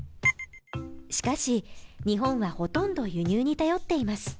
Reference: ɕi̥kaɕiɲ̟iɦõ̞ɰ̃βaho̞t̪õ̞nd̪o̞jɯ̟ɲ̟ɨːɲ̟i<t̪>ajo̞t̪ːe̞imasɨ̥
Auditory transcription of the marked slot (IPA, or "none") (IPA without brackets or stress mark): t̪